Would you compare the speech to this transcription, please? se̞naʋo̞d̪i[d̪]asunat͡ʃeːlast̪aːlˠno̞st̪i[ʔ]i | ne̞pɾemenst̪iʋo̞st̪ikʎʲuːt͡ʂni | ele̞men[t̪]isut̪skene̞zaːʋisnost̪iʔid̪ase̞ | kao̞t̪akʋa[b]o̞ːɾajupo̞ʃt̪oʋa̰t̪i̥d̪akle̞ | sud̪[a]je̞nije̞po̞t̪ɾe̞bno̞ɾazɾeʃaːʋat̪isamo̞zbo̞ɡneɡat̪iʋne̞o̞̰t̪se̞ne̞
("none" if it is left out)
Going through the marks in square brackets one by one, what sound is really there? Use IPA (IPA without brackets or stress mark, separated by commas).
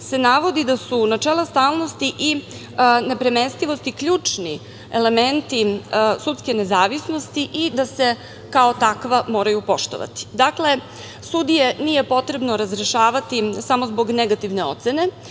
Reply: d̪, ʔ, t̪, m, i